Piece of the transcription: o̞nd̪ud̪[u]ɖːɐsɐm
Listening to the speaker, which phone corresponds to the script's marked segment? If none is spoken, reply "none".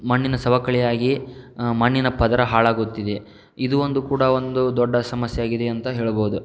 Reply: ɔ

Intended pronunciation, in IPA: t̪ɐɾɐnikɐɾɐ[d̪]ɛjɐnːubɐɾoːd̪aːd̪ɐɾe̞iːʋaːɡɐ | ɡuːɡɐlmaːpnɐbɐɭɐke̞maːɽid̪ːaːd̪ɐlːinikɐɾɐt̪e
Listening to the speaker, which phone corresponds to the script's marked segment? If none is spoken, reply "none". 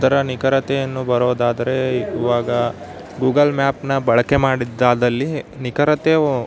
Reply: t̪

